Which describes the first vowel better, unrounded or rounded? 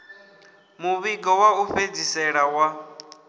rounded